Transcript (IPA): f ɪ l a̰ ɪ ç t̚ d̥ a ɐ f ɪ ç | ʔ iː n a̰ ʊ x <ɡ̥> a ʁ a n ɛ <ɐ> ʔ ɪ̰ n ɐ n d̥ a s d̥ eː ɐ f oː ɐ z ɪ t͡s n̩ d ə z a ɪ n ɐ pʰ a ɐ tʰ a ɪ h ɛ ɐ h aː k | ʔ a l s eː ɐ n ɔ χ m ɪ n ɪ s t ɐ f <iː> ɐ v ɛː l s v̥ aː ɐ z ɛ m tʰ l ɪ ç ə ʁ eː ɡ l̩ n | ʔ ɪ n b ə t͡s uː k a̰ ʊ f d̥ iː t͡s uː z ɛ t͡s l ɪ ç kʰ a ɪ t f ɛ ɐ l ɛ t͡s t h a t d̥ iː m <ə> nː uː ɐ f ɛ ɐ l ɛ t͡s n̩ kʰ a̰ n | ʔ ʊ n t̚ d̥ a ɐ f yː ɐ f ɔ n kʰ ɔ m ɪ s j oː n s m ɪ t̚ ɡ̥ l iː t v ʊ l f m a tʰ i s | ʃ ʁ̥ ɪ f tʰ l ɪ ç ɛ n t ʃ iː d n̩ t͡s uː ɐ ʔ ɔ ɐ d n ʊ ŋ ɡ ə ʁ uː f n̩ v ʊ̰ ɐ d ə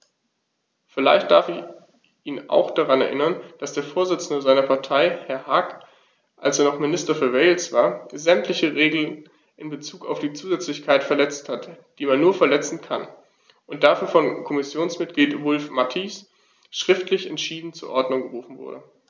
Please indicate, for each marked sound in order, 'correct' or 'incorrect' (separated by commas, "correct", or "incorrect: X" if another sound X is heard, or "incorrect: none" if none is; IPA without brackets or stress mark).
incorrect: d̥, correct, incorrect: yː, incorrect: a